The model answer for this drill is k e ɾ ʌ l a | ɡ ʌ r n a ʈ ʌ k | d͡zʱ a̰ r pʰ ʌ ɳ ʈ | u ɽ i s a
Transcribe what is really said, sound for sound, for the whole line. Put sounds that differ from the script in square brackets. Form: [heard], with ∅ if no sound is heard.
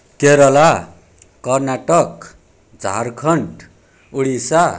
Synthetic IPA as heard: k e ɾ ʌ l a | [k] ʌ r n a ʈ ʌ k | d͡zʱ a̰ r [kʰ] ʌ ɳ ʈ | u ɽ i s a